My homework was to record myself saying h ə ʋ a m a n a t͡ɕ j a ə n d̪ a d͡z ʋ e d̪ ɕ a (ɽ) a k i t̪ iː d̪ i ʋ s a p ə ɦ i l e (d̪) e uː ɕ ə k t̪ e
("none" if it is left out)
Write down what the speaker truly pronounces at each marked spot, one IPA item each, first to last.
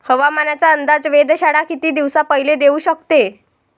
ɽ, d̪

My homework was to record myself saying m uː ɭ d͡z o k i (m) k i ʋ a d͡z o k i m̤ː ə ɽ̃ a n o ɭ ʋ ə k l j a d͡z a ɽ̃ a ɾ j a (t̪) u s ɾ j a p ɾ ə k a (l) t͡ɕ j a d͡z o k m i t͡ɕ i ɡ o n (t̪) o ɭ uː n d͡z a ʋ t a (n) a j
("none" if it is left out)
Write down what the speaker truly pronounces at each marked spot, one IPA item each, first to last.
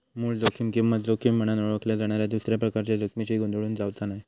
m, d̪, ɾ, d̪, n

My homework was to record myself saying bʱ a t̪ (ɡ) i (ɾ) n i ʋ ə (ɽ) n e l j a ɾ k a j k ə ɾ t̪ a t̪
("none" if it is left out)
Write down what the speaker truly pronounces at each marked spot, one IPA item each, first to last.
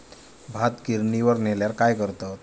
k, ɾ, ɾ

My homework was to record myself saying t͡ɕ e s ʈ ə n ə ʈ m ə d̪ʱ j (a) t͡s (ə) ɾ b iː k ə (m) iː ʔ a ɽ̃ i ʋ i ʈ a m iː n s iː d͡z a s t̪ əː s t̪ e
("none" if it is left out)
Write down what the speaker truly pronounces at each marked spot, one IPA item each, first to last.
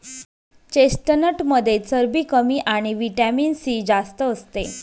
e, ə, m

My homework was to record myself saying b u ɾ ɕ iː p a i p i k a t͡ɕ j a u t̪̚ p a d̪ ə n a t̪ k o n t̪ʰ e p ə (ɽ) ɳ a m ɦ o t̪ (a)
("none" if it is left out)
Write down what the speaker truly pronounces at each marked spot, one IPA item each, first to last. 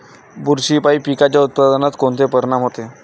ɾ, e

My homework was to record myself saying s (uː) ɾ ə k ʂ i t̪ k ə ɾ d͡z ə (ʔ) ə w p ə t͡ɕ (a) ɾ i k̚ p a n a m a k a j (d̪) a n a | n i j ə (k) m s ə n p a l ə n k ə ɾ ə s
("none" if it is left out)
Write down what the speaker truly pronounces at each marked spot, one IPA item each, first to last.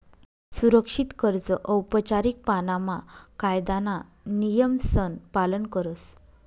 u, ʔ, a, d̪, none

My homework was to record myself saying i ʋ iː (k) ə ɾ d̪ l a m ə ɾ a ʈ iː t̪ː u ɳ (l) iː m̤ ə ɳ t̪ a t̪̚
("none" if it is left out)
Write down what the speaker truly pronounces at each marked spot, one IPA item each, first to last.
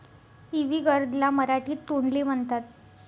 ɡ, l

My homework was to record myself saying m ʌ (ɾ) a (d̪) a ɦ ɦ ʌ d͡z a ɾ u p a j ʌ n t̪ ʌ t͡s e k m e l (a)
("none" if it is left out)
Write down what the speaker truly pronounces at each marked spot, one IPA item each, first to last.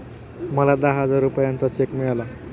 l, d̪, a

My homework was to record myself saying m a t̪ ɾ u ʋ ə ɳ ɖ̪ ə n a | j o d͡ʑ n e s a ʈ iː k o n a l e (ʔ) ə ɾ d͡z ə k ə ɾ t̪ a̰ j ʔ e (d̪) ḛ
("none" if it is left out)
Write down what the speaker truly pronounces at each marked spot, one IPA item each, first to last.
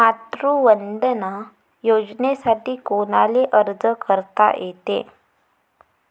ʔ, t̪

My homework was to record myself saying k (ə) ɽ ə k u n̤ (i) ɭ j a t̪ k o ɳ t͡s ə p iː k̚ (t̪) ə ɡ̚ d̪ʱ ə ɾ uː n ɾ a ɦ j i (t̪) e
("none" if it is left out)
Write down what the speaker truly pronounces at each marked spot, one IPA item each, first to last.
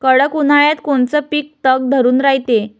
ə, a, t̪, t̪

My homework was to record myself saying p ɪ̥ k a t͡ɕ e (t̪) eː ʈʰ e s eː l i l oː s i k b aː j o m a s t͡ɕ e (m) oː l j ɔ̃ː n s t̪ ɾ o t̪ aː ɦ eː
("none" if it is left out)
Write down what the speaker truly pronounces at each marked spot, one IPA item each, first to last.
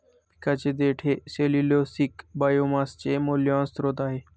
d̪, m

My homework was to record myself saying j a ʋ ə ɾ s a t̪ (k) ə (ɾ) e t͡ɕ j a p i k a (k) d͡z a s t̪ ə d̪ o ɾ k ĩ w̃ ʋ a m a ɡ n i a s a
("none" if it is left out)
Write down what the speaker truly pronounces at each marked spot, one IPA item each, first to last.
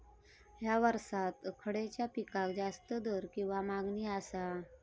kʰ, ɽ, k

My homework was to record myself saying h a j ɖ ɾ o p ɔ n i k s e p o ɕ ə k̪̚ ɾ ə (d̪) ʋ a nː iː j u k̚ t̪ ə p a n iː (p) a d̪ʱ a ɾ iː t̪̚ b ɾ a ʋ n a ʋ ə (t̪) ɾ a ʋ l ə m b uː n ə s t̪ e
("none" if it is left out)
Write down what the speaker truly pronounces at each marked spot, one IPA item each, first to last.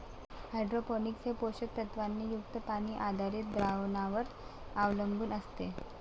t̪, ʔ, none

